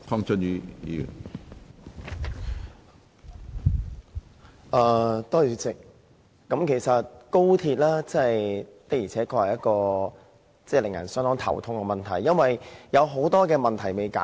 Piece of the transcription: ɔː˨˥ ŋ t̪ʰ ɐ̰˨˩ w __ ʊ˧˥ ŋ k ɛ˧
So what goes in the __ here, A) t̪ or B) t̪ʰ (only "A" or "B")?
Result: B